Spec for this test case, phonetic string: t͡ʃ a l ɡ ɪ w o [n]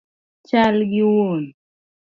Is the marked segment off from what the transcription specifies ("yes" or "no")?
no